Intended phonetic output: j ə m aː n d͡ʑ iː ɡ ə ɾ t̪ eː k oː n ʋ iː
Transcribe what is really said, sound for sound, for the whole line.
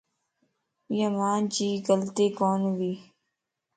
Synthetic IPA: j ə m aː n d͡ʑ iː ɡ ə l t̪ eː k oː n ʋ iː